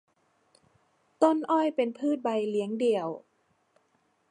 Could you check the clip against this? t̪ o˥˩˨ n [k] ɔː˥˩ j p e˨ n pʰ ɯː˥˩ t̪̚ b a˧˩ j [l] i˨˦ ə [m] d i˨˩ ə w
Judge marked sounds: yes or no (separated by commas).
no, yes, no